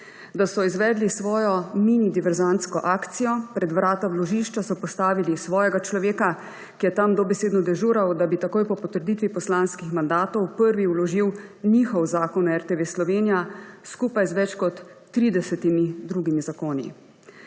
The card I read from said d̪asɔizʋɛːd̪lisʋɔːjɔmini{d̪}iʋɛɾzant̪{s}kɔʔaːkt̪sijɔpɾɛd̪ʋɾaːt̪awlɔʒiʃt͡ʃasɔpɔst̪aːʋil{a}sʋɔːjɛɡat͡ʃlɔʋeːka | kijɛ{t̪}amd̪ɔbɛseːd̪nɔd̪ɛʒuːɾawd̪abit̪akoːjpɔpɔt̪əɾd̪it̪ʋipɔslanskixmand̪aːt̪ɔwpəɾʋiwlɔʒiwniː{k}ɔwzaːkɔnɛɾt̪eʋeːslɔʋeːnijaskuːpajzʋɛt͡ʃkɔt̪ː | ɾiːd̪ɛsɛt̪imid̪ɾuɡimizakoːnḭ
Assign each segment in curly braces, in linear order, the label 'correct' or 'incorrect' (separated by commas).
correct, correct, incorrect, correct, incorrect